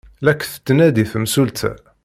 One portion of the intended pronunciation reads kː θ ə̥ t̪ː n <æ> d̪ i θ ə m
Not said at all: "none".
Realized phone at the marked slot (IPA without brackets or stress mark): æ